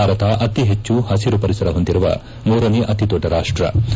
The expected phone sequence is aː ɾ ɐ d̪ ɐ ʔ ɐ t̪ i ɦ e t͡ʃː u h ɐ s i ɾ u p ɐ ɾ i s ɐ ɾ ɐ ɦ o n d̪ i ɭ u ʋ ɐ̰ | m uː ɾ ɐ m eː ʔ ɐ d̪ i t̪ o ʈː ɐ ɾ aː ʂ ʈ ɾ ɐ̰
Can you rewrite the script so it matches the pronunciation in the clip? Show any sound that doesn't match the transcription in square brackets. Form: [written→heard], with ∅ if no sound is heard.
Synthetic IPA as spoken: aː ɾ ɐ [d̪→t̪] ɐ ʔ ɐ t̪ i ɦ e t͡ʃː u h ɐ s i ɾ u p ɐ ɾ i s ɐ ɾ ɐ ɦ o n d̪ i [ɭ→ɾ] u ʋ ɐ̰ | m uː ɾ ɐ [m→n] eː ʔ ɐ [d̪→t̪] i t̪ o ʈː ɐ ɾ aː ʂ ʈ ɾ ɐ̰